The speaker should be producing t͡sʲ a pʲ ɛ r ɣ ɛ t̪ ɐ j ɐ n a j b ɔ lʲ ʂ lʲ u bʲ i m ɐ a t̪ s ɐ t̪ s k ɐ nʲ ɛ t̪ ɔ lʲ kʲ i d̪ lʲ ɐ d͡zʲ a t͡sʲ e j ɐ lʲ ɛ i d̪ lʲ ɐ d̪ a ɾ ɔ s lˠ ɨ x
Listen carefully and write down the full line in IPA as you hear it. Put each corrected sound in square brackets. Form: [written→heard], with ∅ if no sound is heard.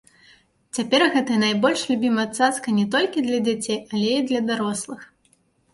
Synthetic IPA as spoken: t͡sʲ a pʲ ɛ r ɣ ɛ t̪ ɐ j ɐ n a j b ɔ lʲ ʂ lʲ u bʲ i m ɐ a t̪ s [ɐ→a] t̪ s k ɐ nʲ ɛ t̪ ɔ lʲ kʲ i d̪ lʲ ɐ d͡zʲ a t͡sʲ e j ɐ lʲ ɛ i d̪ lʲ ɐ d̪ a ɾ ɔ s lˠ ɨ x